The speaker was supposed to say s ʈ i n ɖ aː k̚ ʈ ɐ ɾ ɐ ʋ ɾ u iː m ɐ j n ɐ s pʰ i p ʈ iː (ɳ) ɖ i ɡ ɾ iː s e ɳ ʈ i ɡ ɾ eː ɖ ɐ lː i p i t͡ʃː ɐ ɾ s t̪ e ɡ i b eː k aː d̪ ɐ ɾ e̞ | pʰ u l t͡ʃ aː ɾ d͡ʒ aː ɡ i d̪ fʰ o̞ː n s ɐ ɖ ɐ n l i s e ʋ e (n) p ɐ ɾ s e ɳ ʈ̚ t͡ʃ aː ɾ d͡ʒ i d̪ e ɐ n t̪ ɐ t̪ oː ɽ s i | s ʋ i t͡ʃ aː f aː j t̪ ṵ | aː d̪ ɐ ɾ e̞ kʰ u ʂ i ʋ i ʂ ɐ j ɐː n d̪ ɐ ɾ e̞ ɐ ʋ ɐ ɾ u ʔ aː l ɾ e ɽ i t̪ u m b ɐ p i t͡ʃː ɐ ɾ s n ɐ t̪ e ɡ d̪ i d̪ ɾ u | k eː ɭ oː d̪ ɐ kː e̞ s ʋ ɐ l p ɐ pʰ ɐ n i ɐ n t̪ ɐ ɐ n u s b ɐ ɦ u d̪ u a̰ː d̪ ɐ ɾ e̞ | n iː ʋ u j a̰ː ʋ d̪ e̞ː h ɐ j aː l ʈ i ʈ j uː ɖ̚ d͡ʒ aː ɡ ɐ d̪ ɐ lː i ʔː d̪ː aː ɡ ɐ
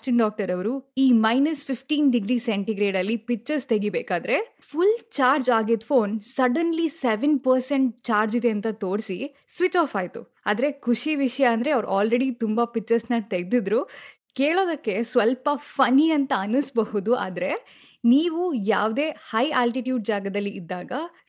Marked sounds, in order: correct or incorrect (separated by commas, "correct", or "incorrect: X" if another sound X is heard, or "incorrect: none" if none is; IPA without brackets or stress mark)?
incorrect: n, correct